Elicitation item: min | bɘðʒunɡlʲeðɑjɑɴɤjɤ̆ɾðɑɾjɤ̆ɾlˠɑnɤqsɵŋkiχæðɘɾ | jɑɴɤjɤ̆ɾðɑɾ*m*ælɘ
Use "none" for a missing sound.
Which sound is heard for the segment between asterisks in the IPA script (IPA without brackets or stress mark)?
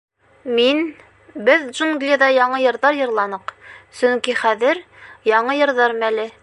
m